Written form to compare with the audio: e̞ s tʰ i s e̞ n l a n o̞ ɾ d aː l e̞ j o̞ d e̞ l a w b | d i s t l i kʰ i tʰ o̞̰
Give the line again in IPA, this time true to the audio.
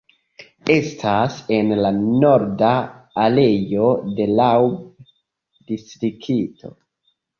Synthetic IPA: e̞ s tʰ a s e̞ n l a n o̞ ɾ d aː l e̞ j o̞ d e̞ l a w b | d i s t ɾ i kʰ i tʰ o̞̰